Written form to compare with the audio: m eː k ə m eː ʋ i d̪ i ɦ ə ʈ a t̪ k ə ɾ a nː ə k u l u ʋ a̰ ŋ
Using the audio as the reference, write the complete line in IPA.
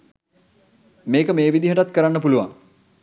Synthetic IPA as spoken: m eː k ə m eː ʋ i d̪ i ɦ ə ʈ a t̪ k ə ɾ a nː ə p u l u ʋ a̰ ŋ